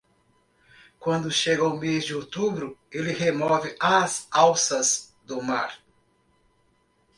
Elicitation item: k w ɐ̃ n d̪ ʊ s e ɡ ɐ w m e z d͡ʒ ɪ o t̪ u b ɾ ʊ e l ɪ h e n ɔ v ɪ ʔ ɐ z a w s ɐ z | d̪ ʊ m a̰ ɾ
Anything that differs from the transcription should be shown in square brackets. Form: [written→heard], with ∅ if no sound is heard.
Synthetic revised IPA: k w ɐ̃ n d̪ ʊ [s→ʃ] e ɡ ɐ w m e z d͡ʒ ɪ o t̪ u b ɾ ʊ e l ɪ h e [n→m] ɔ v ɪ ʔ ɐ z a w s ɐ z | d̪ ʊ m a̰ ɾ